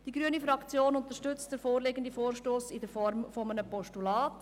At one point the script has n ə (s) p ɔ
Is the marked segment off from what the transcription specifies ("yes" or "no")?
yes